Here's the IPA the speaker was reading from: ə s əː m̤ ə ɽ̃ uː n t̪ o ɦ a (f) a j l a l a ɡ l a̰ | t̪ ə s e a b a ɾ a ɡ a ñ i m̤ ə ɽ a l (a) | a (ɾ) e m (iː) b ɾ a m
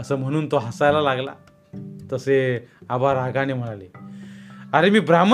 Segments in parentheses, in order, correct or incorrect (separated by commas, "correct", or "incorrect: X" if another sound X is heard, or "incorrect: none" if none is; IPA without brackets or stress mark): incorrect: s, incorrect: e, correct, correct